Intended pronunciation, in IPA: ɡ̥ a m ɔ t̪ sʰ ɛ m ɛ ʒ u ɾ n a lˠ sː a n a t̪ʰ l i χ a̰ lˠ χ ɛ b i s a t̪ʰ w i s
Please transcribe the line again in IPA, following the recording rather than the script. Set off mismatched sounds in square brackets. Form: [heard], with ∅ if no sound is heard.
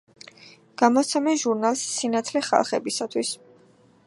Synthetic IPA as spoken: ɡ̥ a m ɔ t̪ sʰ ɛ m ɛ ʒ u ɾ n a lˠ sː [i] n a t̪ʰ l [ɛ] χ a̰ lˠ χ ɛ b i s a t̪ʰ w i s